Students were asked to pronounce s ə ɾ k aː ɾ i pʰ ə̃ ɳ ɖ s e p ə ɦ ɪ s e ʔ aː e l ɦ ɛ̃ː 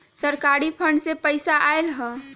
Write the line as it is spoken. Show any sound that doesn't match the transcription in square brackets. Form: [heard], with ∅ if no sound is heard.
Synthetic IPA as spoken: s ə ɾ k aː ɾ i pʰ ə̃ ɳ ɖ s e p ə [∅] ɪ s [a] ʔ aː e l ɦ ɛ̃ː